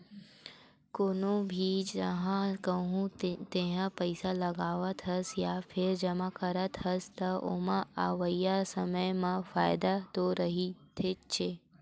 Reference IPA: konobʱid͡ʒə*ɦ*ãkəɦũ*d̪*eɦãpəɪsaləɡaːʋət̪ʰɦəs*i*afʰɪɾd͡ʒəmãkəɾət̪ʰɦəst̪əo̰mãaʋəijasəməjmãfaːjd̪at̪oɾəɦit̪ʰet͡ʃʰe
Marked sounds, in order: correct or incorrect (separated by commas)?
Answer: correct, incorrect, incorrect